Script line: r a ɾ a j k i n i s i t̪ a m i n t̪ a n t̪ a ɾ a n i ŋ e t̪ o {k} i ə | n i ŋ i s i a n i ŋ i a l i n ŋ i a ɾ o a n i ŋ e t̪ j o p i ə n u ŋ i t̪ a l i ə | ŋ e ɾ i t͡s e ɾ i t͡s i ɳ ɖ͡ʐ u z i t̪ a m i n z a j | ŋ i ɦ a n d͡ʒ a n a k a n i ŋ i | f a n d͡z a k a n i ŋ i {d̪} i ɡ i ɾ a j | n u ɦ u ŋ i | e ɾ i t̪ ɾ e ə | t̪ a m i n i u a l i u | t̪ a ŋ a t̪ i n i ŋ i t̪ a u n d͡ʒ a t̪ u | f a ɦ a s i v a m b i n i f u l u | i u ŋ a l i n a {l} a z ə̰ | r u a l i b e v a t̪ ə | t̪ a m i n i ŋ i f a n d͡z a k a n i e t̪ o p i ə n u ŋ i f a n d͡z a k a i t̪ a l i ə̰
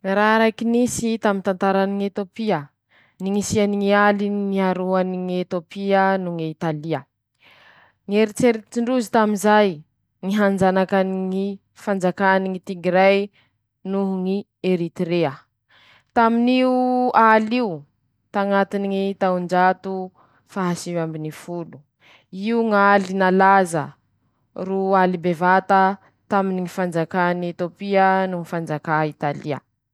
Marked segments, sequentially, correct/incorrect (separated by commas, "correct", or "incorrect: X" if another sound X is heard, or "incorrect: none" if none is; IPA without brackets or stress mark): incorrect: p, incorrect: t̪, correct